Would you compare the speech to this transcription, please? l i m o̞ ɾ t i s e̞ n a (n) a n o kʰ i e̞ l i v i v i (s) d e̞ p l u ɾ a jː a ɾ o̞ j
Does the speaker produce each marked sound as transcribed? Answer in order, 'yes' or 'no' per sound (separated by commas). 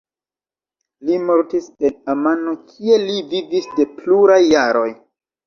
no, yes